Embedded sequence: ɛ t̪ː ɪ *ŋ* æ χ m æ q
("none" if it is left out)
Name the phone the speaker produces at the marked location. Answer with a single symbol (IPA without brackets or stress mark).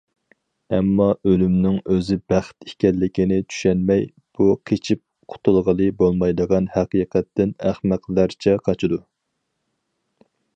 n